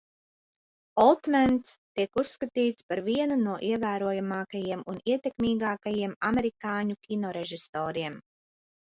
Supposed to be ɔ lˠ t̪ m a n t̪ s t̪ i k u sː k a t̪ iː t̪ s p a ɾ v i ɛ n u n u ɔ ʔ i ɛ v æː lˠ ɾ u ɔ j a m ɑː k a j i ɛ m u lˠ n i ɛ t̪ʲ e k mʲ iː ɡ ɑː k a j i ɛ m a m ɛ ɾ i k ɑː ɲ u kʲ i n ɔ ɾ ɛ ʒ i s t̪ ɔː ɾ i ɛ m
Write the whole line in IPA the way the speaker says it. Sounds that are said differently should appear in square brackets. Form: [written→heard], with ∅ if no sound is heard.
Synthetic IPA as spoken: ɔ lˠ t̪ m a n t̪ s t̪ i k u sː k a t̪ iː t̪ s p a ɾ v i ɛ n u n u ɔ ʔ i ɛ v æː [lˠ→∅] ɾ u ɔ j a m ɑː k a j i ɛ m u [lˠ→∅] n i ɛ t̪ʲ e k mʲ iː ɡ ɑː k a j i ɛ m a m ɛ ɾ i k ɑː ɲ u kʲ i n ɔ ɾ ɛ ʒ i s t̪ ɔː ɾ i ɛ m